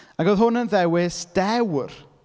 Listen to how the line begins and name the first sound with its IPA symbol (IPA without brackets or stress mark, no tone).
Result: a